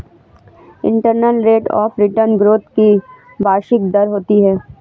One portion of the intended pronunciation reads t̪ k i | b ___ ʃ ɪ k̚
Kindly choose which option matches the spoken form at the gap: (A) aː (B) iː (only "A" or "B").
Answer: A